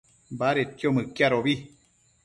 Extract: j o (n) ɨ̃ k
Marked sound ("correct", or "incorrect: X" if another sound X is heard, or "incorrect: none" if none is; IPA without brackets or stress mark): incorrect: m